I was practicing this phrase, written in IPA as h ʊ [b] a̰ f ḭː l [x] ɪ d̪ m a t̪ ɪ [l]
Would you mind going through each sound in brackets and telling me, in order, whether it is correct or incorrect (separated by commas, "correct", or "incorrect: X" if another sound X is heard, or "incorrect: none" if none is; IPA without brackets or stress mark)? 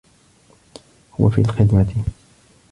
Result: incorrect: w, correct, incorrect: none